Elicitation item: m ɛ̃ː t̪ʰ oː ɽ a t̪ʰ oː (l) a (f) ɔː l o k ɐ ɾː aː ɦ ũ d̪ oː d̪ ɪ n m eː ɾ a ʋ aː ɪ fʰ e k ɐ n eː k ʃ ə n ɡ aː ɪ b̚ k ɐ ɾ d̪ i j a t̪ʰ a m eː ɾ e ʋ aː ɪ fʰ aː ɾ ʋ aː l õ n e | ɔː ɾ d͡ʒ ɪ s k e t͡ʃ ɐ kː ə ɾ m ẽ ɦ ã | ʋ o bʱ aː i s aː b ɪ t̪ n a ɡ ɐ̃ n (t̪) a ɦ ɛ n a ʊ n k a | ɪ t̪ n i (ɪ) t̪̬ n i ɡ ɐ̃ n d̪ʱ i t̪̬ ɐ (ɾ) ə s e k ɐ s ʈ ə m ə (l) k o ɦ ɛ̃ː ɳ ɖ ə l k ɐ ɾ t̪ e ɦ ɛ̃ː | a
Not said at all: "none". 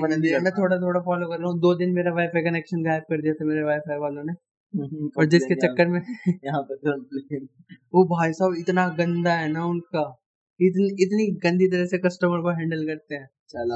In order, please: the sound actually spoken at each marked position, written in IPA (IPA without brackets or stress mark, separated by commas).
ɽ, f, d̪, ɪ, ɾ, ɾ